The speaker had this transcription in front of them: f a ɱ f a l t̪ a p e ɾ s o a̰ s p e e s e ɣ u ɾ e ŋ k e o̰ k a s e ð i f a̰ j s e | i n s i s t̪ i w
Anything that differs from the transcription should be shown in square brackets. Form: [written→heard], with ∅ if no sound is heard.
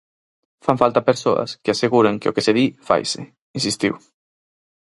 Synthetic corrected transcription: f a ɱ f a l t̪ a p e ɾ s o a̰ s [p→k] e [e→a] s e ɣ u ɾ e ŋ k e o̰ k [a→e] s e ð i f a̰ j s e | i n s i s t̪ i w